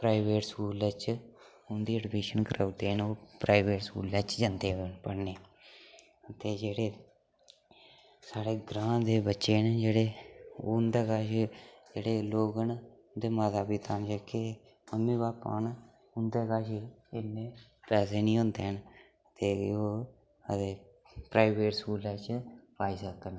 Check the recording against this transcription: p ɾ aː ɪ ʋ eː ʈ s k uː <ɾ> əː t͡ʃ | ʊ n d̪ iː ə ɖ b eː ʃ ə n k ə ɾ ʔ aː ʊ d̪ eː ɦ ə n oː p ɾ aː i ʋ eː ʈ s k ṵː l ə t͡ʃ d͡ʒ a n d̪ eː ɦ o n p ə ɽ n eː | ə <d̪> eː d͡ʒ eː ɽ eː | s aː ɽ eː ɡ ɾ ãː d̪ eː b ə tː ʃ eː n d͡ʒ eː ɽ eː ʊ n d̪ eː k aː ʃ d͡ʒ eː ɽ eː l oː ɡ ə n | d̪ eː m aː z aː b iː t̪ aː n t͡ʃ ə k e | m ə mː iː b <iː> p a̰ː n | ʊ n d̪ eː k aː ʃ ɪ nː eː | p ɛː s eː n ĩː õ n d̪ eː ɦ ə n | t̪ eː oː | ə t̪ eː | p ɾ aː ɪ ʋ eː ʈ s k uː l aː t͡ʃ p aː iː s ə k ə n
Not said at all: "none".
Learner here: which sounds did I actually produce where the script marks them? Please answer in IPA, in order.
l, t̪, aː

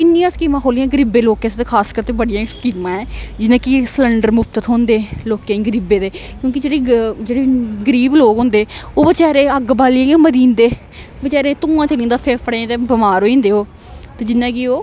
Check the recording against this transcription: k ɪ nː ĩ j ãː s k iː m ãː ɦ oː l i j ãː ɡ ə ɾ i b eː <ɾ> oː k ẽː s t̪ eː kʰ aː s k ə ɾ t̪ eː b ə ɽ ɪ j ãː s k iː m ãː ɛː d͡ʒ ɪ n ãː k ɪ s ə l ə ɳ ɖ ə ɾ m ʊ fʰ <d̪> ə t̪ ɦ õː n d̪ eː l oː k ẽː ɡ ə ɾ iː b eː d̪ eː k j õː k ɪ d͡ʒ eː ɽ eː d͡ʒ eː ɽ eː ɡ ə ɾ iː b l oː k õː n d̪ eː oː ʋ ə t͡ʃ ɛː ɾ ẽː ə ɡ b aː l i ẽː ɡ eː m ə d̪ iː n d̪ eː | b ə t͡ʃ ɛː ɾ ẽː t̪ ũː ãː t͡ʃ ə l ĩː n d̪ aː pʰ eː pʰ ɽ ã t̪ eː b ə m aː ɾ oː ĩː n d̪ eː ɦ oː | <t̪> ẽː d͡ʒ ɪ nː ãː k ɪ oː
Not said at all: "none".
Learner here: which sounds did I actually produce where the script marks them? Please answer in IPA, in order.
l, t̪, t̪

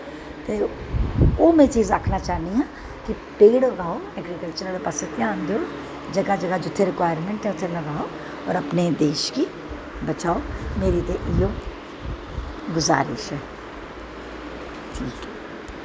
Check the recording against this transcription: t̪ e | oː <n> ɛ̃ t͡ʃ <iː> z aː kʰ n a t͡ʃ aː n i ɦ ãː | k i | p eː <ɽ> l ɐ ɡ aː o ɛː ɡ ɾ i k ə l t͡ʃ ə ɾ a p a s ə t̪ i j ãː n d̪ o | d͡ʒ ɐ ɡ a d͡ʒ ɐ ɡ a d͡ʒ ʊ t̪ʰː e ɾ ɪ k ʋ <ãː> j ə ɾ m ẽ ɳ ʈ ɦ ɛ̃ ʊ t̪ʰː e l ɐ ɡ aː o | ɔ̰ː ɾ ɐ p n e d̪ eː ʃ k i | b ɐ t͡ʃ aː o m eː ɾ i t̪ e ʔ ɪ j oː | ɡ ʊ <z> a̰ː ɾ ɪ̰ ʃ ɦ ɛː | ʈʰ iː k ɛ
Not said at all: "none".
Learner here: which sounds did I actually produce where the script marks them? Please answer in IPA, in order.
m, iː, ɽ, aː, z

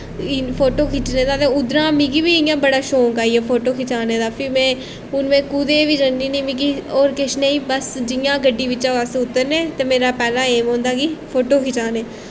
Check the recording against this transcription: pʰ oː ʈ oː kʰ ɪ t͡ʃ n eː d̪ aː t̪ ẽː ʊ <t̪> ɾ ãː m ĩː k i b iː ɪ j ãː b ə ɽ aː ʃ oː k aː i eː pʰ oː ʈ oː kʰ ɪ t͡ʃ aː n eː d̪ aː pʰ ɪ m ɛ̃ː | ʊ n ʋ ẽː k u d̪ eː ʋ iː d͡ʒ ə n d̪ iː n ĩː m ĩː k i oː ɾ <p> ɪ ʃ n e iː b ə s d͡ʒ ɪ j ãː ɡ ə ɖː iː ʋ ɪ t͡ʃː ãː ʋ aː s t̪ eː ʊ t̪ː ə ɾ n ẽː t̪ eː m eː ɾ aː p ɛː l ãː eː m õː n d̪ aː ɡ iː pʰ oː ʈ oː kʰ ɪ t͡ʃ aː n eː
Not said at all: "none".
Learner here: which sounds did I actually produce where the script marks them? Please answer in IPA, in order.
d̪, k

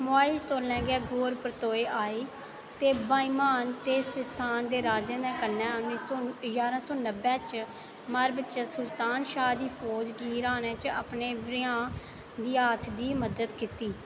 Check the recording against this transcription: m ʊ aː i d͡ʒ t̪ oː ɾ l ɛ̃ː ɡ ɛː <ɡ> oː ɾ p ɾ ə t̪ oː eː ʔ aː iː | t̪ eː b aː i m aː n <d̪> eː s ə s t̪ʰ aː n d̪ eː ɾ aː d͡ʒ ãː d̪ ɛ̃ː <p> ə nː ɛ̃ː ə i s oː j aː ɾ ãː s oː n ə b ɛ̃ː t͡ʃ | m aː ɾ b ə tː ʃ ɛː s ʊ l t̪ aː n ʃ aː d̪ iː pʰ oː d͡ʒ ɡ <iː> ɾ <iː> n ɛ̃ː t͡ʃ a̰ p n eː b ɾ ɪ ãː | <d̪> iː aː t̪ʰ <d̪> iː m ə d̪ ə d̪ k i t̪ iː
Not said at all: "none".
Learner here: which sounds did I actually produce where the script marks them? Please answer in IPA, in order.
ɡ, t̪, k, iː, aː, d̪, d̪

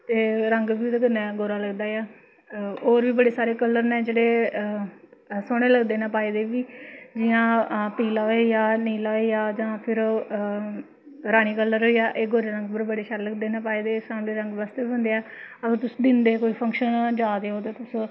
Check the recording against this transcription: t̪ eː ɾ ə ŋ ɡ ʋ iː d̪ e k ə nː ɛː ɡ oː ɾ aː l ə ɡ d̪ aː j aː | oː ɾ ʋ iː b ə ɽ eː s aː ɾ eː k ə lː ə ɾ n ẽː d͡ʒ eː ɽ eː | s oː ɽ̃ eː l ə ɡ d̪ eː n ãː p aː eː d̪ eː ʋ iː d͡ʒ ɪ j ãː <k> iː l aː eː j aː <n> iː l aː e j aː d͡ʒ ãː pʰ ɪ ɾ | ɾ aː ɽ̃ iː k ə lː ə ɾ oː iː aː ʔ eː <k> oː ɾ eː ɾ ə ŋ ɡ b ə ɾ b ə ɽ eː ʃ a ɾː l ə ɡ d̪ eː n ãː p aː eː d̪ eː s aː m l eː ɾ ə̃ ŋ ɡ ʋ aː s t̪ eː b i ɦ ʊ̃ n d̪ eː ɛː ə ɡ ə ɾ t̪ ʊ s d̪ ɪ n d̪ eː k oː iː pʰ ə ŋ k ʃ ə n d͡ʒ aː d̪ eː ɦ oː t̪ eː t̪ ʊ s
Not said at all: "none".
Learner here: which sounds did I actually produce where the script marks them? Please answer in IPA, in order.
p, n, ɡ

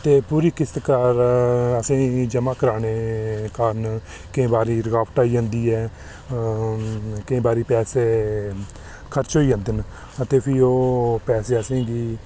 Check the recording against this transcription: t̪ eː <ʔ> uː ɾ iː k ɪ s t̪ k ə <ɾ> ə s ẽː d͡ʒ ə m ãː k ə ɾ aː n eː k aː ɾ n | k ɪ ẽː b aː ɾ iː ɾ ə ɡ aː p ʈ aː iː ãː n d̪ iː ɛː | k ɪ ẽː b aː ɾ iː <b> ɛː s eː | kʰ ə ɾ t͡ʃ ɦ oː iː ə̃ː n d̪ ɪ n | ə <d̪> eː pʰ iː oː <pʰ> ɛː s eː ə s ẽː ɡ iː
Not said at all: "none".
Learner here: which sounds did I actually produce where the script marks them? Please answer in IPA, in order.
p, ɾ, p, t̪, p

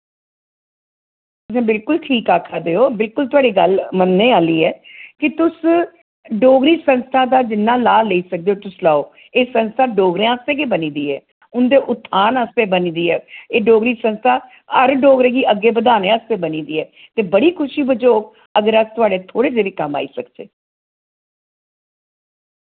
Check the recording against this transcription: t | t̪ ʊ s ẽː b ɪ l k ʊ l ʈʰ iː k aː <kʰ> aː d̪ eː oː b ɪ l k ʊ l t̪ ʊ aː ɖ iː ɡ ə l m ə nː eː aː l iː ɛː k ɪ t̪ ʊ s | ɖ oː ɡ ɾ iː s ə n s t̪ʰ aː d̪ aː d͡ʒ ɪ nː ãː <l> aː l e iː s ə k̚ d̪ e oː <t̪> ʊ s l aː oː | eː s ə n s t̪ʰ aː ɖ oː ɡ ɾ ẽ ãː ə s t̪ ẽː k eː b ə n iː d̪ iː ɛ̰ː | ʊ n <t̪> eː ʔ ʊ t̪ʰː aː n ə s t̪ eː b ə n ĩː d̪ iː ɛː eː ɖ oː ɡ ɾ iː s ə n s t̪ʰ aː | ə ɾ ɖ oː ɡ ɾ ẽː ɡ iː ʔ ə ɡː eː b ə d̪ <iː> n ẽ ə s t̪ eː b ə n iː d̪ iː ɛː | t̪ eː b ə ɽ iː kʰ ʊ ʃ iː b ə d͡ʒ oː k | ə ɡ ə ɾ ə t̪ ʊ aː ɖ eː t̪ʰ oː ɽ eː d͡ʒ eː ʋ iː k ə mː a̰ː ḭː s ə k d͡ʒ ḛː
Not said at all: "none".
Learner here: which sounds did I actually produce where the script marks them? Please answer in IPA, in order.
kʰ, l, t̪, d̪, aː

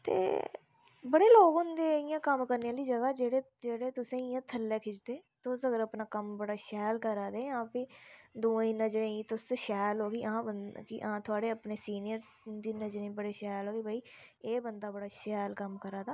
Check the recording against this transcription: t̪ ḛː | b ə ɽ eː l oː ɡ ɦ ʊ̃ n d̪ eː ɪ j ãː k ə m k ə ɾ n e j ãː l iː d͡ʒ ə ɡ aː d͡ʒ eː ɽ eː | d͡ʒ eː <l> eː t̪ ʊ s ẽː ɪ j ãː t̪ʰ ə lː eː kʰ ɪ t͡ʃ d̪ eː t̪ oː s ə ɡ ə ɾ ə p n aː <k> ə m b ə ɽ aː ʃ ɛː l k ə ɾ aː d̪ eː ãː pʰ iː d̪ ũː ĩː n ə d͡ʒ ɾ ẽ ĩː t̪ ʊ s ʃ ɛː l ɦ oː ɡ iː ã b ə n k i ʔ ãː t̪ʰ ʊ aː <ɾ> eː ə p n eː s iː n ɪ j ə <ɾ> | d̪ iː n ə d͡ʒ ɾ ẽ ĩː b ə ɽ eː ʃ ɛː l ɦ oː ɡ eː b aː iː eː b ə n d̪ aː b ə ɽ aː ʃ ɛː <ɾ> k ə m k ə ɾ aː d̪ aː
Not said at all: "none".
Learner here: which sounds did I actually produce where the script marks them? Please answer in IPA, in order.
ɽ, k, ɽ, ɾ, l

